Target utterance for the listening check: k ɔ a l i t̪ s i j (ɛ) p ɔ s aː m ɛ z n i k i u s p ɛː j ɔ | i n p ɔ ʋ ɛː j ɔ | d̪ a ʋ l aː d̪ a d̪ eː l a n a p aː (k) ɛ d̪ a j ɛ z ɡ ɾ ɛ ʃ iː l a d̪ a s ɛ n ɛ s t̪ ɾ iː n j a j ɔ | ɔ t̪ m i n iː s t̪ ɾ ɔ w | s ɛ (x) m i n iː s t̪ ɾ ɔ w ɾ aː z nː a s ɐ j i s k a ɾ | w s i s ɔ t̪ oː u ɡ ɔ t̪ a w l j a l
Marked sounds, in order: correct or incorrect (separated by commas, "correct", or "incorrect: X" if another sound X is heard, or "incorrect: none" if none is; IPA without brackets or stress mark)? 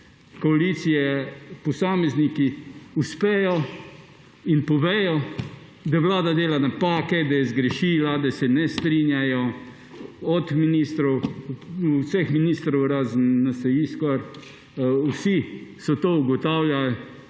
correct, correct, correct